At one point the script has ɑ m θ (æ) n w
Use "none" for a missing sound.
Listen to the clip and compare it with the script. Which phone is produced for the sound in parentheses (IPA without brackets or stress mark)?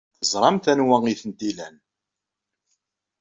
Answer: æ